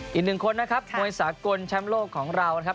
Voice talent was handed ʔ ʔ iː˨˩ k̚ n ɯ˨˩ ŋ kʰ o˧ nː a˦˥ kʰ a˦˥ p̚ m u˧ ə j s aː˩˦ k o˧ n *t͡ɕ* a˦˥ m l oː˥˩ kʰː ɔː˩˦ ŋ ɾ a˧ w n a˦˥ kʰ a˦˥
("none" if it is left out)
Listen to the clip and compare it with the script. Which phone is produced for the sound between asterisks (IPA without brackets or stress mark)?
t͡ɕʰ